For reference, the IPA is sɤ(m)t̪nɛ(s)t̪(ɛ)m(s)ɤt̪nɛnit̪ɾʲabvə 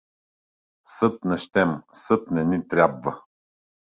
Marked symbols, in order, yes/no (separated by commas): no, no, yes, yes